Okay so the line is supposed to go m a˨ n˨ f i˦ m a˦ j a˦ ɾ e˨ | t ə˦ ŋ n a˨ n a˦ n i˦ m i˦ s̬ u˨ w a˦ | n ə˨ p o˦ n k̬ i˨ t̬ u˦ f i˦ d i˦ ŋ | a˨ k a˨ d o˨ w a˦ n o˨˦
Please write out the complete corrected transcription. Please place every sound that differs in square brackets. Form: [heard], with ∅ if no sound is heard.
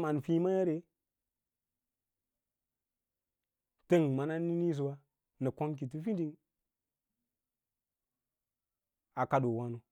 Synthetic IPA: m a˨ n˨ f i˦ m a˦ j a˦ ɾ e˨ | t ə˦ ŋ [m] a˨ n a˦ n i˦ [n] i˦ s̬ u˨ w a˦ | n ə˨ [k] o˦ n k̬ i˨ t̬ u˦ f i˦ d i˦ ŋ | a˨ k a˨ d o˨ w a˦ n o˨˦